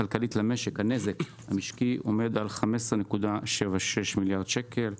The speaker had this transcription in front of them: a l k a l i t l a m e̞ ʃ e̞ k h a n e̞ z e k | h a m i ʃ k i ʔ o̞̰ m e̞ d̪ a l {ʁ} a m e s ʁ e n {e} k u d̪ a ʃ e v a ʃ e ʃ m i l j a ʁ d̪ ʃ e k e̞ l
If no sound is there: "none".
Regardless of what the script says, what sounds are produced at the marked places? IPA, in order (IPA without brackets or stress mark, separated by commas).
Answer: χ, e